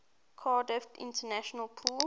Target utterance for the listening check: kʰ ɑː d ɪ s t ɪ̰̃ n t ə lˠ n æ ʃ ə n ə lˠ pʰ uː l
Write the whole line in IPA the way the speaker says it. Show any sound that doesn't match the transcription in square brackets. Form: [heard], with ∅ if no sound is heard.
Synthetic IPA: kʰ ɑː d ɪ [f] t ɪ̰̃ n t ə [∅] n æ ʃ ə n ə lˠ pʰ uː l